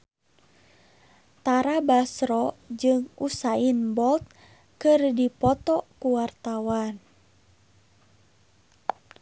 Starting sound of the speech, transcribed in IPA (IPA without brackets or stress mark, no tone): t̪